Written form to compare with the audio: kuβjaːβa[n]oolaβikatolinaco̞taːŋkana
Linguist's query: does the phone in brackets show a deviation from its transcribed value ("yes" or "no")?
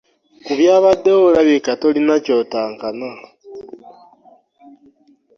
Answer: yes